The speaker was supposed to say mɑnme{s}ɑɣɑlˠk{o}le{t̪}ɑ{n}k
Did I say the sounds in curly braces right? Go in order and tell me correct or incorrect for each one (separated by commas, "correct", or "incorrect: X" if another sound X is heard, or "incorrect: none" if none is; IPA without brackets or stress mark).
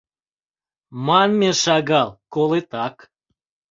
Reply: incorrect: ʃ, correct, correct, incorrect: none